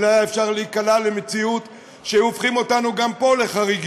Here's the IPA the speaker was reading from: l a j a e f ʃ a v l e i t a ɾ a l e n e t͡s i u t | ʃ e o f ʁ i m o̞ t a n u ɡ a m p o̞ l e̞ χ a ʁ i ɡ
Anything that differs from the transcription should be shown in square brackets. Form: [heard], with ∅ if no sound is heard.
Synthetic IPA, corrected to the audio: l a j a e f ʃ a [ʁ] l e i [k] a [l] a l e [m] e t͡s i u t | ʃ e o f [χ] i m o̞ t a n u ɡ a m p o̞ l e̞ χ a ʁ i ɡ